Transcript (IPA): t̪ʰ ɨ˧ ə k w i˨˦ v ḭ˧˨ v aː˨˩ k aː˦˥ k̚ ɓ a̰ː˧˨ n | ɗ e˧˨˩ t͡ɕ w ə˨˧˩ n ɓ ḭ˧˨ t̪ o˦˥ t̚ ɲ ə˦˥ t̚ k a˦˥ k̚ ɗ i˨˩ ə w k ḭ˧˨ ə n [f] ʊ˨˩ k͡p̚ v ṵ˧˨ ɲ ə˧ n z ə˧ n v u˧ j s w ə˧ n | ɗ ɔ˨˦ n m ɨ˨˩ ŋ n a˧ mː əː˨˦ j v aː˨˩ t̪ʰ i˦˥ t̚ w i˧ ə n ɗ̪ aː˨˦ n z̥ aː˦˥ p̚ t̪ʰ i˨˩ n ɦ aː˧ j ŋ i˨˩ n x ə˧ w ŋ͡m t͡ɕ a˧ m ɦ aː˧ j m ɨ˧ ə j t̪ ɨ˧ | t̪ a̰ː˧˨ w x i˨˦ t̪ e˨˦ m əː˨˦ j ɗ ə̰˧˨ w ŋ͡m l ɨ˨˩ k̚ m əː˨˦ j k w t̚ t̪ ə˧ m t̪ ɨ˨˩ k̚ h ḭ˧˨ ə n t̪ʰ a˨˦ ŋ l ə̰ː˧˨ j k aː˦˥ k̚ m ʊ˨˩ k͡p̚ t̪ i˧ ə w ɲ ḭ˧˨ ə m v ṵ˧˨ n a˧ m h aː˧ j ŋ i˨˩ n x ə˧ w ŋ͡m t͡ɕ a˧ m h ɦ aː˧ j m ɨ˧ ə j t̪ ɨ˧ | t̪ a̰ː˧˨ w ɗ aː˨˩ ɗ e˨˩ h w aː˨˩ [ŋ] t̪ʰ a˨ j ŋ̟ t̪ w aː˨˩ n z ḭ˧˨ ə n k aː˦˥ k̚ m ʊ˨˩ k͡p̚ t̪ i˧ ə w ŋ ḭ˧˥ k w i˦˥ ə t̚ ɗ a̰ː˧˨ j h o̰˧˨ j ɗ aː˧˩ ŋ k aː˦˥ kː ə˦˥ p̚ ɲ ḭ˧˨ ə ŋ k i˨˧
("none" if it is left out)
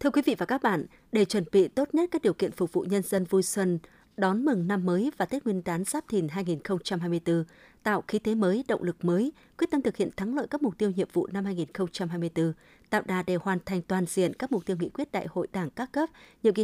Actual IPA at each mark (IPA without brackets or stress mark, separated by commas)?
f, n